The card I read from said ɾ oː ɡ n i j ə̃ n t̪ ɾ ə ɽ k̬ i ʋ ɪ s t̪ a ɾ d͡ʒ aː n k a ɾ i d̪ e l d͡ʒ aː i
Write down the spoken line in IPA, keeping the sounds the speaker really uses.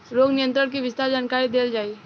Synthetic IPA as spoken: ɾ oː ɡ n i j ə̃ n t̪ ɾ ə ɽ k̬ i ʋ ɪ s t̪ a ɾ d͡ʒ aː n k a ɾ i d̪ e l d͡ʒ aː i